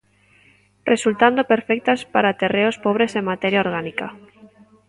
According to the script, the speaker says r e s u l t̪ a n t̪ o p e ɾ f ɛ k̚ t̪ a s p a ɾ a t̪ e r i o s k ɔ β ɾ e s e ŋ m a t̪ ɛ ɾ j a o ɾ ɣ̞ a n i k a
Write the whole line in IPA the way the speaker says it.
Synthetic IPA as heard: r e s u l t̪ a n d̪ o p e ɾ f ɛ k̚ t̪ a s p a ɾ a t̪ e r e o s p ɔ β ɾ e s e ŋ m a t̪ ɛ ɾ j a o ɾ ɣ̞ a n i k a